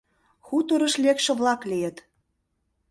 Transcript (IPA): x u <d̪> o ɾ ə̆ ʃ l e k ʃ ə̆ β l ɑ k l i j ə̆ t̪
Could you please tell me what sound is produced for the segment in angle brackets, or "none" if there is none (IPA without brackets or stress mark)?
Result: t̪